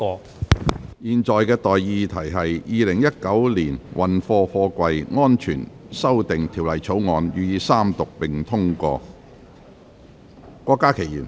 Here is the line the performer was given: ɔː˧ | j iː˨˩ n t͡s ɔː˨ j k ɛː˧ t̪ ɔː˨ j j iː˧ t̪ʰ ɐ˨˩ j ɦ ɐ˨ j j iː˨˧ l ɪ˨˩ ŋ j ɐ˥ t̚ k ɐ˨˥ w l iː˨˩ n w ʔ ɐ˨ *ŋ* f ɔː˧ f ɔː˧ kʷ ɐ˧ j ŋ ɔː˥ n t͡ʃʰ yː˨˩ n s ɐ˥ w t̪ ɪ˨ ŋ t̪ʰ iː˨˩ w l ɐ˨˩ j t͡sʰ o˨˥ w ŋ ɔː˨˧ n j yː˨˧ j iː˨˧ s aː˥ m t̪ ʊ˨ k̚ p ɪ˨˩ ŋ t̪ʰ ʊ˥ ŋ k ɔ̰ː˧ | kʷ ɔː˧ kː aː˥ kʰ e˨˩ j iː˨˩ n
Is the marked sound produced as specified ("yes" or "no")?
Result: no